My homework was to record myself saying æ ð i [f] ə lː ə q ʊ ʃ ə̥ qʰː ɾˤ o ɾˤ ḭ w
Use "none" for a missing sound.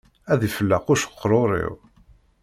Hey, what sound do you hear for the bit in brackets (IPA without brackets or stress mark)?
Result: f